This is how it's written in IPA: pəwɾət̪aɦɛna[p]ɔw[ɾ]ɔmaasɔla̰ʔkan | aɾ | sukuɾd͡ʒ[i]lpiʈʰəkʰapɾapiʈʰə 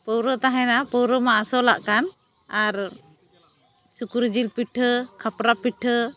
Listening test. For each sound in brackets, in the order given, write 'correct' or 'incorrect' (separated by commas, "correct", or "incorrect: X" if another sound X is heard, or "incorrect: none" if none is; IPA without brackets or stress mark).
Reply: correct, correct, correct